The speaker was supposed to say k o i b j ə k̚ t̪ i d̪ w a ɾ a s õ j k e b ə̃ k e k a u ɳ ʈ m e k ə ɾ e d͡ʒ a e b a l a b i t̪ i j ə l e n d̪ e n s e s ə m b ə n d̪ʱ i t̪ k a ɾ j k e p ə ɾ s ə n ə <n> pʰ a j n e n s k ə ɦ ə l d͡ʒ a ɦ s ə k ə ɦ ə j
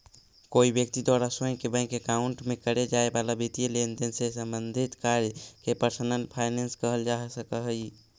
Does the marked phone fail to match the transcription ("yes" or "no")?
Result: no